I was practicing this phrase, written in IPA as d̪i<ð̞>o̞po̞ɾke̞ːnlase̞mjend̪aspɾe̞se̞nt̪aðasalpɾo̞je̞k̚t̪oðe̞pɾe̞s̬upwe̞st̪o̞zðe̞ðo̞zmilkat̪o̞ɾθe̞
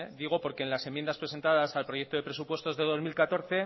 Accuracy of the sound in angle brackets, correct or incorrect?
incorrect